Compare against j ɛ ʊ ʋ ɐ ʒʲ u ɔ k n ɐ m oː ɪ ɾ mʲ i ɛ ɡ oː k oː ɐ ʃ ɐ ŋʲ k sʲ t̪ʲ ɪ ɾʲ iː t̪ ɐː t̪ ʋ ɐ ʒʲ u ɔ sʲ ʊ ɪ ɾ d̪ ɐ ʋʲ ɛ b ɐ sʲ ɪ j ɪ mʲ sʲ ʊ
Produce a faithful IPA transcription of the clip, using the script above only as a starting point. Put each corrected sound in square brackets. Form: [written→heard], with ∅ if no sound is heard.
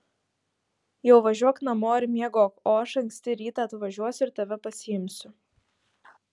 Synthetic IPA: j ɛ ʊ ʋ ɐ ʒʲ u ɔ k n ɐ m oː ɪ ɾ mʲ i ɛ ɡ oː k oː ɐ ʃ ɐ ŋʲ k sʲ t̪ʲ ɪ ɾʲ iː t̪ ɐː t̪ ʋ ɐ ʒʲ u ɔ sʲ ʊ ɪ ɾ [d̪→t̪] ɐ ʋʲ ɛ [b→p] ɐ sʲ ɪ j ɪ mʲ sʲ ʊ